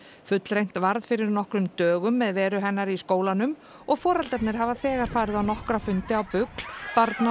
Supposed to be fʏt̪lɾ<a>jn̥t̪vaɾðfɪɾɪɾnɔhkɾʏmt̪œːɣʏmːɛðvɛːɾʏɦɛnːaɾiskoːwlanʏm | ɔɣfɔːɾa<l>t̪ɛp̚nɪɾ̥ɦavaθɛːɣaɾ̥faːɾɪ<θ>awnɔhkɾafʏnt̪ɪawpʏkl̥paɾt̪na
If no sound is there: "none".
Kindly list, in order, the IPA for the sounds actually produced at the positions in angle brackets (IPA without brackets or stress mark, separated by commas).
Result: e, l, ð